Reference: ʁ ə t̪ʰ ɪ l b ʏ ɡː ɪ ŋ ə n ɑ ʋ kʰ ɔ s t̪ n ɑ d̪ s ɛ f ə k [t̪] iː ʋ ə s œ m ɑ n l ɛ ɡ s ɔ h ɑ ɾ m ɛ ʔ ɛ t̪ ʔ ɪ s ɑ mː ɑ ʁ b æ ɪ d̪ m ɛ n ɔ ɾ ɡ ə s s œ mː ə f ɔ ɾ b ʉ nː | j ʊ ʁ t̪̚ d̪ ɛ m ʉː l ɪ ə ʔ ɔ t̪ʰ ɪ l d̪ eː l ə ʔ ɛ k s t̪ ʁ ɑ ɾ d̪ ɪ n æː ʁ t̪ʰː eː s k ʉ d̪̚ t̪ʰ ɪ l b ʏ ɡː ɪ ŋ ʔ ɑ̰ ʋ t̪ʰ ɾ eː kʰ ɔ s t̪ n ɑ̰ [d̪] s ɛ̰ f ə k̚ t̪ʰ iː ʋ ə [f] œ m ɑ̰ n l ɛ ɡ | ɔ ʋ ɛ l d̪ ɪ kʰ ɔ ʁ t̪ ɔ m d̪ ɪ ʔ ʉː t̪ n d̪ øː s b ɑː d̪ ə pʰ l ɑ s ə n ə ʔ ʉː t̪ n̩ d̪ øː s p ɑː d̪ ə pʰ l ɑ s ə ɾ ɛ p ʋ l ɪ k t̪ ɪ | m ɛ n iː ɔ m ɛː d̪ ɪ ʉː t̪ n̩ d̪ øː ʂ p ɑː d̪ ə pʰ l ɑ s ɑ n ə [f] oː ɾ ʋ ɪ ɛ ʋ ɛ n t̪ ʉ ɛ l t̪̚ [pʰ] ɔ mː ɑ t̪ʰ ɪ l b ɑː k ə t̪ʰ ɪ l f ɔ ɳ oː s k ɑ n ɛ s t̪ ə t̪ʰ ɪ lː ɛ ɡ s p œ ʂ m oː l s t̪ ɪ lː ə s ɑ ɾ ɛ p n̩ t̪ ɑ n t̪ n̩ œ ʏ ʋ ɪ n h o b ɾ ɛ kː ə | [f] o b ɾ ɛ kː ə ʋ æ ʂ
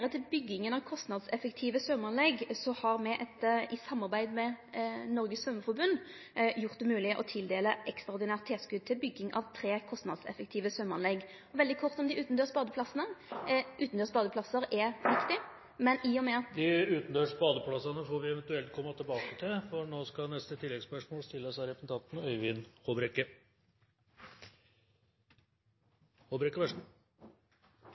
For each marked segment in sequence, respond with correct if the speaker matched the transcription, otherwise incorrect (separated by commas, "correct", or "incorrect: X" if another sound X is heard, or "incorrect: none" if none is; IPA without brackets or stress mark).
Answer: incorrect: t̪ʰ, correct, incorrect: s, correct, incorrect: kʰ, incorrect: h